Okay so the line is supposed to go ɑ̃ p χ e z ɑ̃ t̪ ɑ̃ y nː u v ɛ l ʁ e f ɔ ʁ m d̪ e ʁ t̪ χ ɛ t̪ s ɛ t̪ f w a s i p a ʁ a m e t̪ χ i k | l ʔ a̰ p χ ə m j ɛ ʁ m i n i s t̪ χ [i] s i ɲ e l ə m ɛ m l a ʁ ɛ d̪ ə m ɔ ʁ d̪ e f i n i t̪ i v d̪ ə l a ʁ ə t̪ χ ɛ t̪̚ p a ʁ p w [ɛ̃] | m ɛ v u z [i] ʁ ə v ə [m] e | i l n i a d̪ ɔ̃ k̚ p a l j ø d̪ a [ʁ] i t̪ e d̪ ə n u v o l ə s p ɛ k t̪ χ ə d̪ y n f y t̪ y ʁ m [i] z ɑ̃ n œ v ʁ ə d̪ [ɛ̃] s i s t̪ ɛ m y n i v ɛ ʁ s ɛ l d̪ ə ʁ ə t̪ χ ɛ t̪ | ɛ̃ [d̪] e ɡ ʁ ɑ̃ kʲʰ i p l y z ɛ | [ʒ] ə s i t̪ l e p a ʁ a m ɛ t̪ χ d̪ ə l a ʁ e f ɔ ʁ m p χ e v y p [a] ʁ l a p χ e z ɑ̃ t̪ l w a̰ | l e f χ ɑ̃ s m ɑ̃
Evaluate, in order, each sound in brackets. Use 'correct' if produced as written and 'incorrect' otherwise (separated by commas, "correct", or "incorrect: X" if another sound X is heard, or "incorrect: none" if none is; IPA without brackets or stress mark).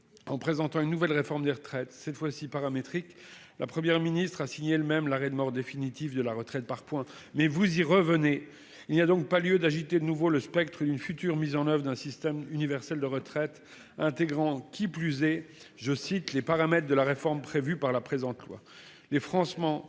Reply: incorrect: a, correct, correct, incorrect: n, incorrect: ʒ, correct, correct, incorrect: t̪, correct, correct